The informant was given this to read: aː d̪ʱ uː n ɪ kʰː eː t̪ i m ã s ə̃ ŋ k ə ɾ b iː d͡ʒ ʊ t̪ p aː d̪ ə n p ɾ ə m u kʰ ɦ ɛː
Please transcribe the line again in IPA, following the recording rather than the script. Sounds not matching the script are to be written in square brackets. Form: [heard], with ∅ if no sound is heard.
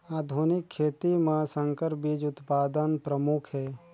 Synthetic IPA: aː d̪ʱ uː n ɪ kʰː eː t̪ i m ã s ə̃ ŋ k ə ɾ b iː d͡ʒ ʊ t̪ p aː d̪ ə n p ɾ ə m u kʰ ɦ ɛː